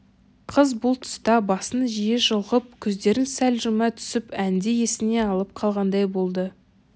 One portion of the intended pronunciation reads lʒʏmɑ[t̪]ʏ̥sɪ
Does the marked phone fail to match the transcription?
yes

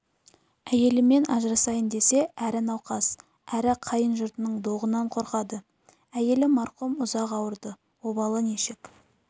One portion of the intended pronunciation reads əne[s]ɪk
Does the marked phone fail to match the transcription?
yes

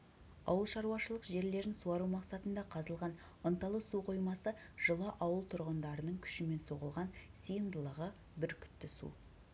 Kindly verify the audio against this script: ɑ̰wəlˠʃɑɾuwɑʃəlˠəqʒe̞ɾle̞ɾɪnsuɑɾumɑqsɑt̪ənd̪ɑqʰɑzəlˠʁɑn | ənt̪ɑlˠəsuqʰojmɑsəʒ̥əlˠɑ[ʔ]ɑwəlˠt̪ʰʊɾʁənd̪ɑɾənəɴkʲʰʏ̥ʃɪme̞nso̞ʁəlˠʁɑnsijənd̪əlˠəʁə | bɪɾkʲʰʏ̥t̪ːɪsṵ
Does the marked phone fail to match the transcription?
no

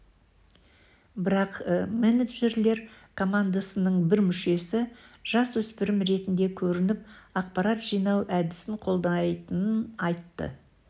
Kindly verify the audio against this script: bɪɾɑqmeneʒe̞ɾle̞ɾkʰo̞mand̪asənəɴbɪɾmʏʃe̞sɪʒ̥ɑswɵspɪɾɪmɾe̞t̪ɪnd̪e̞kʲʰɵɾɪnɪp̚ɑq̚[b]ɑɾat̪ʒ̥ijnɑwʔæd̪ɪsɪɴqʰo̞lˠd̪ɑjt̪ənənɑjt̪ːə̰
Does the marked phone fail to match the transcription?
yes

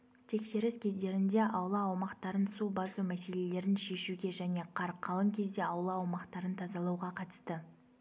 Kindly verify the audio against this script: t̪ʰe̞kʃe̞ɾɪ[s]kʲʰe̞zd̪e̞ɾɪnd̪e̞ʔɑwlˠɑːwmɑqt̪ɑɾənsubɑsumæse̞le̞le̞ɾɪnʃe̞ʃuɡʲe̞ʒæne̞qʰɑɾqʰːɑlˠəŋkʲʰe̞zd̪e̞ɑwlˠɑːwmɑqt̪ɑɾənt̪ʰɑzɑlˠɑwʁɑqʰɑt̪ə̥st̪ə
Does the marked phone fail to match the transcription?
no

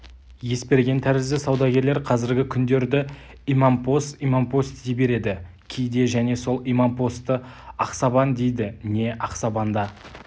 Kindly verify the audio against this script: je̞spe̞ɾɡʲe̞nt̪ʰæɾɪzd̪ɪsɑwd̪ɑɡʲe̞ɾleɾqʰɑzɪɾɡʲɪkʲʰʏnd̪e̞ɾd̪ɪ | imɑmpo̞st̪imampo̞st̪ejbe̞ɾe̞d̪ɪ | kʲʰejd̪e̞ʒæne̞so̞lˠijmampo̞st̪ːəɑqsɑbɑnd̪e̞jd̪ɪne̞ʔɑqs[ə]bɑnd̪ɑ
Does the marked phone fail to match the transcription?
yes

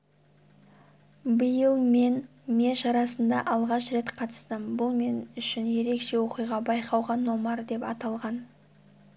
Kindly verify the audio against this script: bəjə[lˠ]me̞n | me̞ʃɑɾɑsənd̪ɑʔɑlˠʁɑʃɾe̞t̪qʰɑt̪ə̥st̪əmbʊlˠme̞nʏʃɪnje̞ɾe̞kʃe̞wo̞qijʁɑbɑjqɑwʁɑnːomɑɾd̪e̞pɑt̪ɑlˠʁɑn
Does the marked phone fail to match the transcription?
no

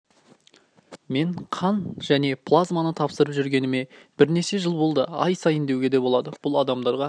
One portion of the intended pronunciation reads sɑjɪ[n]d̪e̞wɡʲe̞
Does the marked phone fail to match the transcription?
no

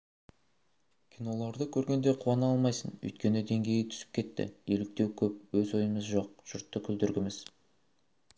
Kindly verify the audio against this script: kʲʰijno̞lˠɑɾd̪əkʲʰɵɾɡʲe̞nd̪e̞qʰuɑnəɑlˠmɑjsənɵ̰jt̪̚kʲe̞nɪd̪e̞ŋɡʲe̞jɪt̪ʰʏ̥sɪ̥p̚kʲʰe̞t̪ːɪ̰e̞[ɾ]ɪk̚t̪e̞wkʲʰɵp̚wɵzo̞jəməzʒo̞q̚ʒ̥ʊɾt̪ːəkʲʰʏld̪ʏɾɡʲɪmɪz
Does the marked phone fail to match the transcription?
yes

